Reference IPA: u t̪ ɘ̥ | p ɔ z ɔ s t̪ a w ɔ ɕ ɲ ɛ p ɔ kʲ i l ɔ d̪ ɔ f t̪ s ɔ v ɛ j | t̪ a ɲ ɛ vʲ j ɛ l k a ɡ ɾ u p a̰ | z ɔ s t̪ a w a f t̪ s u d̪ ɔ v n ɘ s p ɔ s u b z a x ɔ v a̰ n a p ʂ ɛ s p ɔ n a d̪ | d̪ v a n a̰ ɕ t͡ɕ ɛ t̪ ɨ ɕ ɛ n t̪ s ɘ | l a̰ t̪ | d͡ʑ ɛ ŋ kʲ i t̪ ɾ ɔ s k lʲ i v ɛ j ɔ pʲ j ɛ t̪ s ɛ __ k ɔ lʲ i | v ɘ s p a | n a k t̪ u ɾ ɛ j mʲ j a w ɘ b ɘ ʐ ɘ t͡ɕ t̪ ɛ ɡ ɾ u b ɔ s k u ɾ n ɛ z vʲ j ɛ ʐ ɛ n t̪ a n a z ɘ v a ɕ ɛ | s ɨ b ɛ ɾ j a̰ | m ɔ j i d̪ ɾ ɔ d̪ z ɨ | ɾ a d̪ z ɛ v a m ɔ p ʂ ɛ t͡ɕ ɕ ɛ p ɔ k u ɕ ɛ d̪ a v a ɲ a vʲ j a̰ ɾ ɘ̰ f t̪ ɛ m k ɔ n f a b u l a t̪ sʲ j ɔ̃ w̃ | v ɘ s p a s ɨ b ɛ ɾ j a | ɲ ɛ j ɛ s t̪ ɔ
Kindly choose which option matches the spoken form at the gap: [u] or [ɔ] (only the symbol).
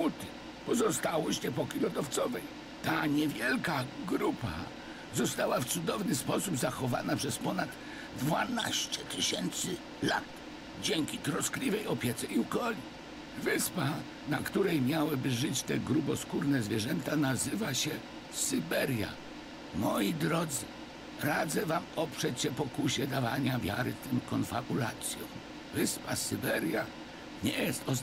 u